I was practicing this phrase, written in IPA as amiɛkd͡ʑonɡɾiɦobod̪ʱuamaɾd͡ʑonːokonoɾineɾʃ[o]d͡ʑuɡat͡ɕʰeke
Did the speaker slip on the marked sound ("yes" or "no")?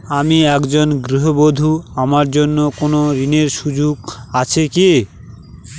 yes